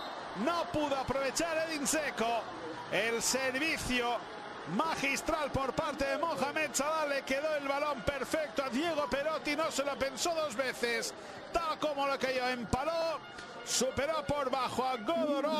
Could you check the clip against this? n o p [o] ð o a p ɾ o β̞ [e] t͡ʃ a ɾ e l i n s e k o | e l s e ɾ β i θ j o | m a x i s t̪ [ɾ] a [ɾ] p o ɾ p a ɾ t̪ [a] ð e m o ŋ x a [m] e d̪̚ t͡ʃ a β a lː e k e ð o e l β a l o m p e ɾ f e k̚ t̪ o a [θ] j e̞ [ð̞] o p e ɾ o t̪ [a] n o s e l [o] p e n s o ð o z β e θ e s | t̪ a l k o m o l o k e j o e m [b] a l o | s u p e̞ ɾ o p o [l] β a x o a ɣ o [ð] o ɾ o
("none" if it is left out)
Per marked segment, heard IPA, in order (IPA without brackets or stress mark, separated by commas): u, e, ɾ, l, e, m, ð, ɣ̞, i, o, p, ɾ, ð